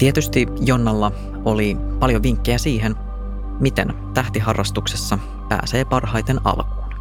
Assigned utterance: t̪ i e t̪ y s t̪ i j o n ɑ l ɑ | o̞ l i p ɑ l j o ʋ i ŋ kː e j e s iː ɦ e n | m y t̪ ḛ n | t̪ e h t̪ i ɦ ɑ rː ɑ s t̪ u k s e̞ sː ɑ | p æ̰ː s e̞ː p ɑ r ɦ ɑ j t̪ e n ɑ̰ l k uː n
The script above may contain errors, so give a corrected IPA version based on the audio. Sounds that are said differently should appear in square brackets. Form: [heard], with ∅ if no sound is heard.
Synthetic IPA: t̪ i e t̪ y s t̪ i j o [nː] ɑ [lː] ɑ | o̞ l i p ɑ l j o ʋ i ŋ kː e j [æ] s iː ɦ e n | m [i] t̪ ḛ n | t̪ [æ] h t̪ i ɦ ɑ rː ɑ s t̪ u k s e̞ sː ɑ | p æ̰ː s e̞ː p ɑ r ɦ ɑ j t̪ e n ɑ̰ l k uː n